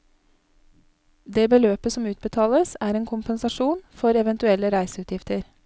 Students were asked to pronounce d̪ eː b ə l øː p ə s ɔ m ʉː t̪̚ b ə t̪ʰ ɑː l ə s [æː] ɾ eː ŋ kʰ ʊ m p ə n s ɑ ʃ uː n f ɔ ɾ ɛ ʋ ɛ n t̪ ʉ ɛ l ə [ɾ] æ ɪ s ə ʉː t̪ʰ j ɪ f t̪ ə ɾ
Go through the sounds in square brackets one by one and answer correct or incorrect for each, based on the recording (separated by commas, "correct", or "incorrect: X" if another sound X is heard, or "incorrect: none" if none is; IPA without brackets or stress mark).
correct, correct